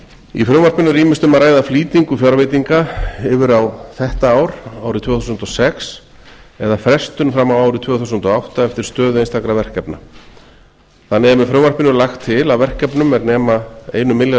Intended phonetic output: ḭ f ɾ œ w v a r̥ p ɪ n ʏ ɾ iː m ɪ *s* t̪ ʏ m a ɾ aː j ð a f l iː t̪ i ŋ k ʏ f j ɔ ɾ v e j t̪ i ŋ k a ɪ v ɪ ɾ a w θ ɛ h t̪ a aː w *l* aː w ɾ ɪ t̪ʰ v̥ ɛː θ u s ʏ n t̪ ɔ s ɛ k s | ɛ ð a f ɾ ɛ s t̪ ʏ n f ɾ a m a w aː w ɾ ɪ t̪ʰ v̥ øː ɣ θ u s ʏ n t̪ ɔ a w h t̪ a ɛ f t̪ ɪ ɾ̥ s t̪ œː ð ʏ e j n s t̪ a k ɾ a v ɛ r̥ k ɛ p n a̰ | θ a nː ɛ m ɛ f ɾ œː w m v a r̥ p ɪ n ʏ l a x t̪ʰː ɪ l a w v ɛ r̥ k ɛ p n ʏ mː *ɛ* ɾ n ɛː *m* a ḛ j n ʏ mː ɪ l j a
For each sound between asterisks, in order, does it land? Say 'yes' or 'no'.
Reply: yes, no, yes, yes

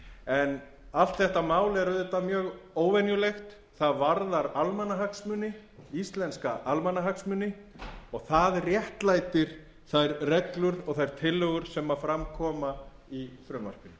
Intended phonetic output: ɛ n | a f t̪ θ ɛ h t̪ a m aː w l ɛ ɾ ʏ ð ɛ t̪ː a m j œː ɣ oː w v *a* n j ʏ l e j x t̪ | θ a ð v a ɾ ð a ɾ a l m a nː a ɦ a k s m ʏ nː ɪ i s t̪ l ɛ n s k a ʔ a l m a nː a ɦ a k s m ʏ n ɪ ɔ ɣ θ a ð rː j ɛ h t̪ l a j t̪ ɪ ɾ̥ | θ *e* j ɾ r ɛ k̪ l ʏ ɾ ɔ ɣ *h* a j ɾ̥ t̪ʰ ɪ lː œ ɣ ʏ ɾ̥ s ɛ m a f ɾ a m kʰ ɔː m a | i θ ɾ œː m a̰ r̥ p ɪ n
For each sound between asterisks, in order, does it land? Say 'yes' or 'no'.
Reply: no, no, no

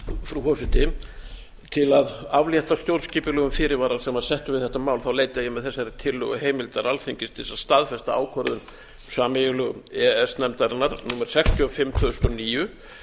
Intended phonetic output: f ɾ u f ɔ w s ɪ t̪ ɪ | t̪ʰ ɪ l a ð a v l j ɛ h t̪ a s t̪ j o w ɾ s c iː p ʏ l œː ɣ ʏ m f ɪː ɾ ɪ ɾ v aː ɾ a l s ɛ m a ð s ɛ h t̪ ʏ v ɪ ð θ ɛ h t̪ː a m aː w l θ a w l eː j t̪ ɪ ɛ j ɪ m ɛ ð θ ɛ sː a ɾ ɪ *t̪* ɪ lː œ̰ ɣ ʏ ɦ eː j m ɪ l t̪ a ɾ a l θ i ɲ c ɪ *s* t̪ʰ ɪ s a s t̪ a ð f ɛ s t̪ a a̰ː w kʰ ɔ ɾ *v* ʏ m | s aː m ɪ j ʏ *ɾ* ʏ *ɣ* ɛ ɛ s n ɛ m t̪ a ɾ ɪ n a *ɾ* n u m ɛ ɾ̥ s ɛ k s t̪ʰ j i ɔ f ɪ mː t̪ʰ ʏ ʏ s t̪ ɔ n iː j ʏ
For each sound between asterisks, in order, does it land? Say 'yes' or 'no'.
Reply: no, yes, no, no, yes, yes

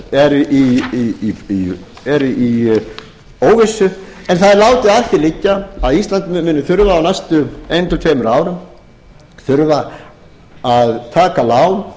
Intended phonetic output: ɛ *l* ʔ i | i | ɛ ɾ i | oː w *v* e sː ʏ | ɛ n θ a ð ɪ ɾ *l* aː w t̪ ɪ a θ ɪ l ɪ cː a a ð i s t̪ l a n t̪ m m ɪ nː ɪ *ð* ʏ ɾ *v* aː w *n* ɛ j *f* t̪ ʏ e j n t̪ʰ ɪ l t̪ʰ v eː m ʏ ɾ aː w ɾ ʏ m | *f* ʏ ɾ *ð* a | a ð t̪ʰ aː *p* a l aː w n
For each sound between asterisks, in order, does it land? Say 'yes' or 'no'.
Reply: no, yes, yes, no, yes, yes, no, no, no, no

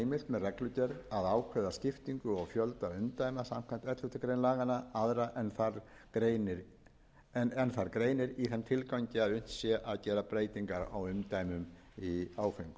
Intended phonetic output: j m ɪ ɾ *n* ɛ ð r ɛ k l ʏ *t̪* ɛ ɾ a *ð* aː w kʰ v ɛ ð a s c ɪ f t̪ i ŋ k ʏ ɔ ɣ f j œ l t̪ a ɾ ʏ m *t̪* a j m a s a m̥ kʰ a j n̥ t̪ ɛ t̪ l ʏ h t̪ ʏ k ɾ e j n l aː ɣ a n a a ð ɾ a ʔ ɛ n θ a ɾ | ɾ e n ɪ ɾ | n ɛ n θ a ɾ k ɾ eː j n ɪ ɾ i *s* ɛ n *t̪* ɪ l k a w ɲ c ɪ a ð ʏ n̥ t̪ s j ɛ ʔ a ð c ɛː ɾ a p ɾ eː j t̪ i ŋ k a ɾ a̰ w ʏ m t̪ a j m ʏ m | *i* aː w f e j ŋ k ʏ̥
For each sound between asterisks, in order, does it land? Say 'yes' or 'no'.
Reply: no, yes, yes, yes, no, no, yes

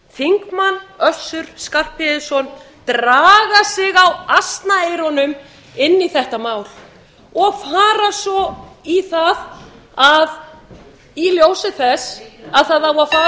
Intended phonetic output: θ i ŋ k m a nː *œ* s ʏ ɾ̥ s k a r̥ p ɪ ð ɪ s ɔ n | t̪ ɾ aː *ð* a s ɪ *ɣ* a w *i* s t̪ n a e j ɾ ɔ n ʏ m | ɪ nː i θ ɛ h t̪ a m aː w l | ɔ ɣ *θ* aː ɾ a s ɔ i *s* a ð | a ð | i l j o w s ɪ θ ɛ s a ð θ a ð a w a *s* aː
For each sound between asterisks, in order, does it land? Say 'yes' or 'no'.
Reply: yes, no, yes, no, no, no, no

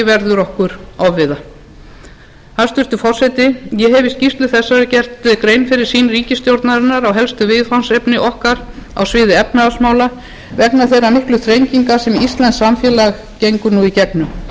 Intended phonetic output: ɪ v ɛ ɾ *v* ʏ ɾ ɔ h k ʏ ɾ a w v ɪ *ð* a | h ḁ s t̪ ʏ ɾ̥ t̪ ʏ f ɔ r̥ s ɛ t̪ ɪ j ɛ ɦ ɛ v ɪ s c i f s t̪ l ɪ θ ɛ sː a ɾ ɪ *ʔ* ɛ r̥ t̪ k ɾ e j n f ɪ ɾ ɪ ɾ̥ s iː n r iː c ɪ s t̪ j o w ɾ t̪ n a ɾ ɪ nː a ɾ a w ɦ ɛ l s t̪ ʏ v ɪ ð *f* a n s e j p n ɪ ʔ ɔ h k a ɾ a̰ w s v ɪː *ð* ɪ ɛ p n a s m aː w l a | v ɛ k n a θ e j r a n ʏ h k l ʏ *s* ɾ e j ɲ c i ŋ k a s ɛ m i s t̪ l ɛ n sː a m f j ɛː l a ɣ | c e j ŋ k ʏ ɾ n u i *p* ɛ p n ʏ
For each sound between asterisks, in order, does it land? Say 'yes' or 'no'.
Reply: no, yes, no, yes, yes, no, no

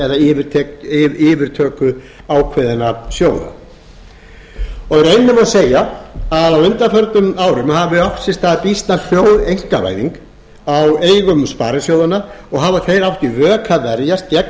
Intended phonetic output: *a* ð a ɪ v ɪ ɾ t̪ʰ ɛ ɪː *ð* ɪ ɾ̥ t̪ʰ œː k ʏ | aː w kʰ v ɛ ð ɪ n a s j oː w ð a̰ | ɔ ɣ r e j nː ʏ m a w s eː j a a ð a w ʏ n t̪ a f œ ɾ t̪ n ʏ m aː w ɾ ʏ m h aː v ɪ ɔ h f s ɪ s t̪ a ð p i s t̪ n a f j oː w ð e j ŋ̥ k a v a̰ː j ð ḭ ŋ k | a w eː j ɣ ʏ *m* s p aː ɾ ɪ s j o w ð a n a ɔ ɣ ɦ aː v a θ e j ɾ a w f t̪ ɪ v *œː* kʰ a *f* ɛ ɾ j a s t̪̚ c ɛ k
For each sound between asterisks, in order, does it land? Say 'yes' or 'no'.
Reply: no, no, yes, yes, no

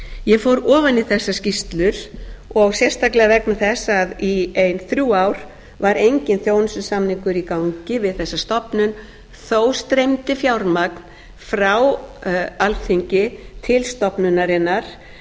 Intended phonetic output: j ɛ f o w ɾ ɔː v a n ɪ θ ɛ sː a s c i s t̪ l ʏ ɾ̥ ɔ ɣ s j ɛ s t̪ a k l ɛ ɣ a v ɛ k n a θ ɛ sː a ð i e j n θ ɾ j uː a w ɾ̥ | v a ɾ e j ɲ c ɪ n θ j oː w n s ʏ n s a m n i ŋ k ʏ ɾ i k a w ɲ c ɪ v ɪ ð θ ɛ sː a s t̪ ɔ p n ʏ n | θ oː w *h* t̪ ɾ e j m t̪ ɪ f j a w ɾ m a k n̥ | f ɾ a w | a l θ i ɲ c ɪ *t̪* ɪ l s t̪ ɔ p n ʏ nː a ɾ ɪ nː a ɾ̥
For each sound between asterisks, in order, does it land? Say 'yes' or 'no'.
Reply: no, no

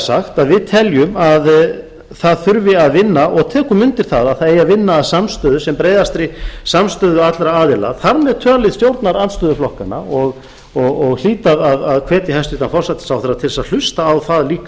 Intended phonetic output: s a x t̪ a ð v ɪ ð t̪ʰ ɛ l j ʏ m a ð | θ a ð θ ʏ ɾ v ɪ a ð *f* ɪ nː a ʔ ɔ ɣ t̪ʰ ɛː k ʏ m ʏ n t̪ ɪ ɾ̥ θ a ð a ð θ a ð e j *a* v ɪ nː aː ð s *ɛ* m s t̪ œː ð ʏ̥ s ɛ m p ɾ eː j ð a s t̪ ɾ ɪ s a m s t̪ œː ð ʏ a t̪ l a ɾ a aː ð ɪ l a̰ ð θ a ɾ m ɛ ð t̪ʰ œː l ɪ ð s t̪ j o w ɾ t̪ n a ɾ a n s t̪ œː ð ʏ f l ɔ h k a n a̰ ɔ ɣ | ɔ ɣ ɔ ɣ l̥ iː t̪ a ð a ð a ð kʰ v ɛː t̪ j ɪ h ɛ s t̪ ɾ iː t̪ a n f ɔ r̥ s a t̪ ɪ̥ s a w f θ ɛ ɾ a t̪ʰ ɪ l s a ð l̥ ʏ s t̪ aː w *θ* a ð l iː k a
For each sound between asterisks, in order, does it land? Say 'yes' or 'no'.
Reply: no, yes, no, yes

